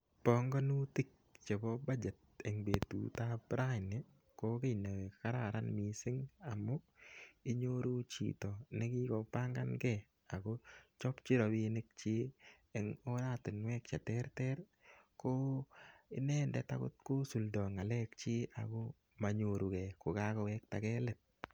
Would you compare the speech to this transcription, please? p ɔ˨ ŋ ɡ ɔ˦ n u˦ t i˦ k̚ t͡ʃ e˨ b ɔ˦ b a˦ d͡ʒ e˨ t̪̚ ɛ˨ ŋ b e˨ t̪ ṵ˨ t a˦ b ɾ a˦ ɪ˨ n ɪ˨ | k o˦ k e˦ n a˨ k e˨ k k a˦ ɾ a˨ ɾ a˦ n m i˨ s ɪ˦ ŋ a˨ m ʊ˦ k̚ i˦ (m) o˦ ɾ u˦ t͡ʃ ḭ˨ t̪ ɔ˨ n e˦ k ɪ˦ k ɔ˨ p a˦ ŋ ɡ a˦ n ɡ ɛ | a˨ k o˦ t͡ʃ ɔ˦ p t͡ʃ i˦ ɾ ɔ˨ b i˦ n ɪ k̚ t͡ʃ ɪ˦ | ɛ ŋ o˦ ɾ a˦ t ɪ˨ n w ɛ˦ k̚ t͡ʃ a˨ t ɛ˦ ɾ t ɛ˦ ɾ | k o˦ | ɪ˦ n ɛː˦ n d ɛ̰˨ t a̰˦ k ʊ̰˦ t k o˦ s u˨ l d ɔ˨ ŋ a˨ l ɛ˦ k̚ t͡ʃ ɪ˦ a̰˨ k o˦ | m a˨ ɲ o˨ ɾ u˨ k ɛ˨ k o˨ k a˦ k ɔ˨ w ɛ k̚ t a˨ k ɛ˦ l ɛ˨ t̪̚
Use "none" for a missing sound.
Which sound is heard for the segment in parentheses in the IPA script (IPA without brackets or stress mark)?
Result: ɲ